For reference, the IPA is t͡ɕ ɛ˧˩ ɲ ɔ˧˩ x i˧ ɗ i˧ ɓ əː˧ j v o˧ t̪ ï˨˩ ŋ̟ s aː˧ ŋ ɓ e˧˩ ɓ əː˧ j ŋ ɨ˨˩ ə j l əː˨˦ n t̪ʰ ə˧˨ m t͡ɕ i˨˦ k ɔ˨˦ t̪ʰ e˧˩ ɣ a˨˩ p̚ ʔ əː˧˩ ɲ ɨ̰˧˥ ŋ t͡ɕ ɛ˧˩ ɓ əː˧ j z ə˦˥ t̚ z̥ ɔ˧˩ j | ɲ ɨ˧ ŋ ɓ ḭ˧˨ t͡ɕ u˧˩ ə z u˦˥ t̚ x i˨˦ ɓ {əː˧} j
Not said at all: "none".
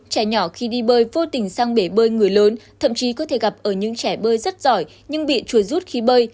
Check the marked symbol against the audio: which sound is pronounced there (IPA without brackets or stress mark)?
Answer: əː˧